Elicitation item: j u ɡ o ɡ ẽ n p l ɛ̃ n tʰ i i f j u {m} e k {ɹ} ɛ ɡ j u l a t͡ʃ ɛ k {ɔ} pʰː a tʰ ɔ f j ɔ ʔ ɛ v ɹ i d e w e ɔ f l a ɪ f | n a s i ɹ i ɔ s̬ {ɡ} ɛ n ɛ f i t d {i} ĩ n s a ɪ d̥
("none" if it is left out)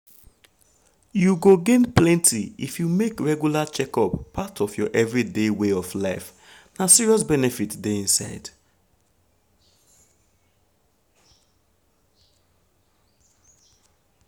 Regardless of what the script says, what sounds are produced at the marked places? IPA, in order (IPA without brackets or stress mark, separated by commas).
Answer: m, ɹ, ɔ, b, e